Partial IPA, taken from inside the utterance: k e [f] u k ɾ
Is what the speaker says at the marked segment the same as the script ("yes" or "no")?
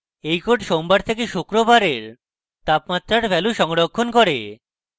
no